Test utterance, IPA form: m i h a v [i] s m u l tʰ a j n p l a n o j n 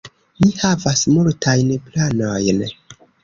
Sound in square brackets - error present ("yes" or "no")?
yes